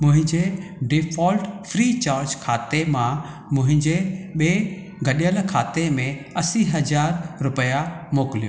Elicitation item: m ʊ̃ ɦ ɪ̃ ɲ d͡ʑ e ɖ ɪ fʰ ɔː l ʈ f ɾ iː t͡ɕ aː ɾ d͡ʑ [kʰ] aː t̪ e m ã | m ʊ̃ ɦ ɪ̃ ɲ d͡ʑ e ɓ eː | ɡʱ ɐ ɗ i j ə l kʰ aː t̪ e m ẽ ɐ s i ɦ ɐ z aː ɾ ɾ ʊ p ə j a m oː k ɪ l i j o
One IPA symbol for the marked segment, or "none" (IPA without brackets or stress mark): kʰ